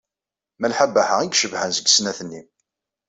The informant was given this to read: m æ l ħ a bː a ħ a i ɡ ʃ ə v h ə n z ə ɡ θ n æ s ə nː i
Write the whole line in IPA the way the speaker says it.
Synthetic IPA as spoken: m æ l ħ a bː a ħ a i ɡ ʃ ə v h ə n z ə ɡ s n æ θ ə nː i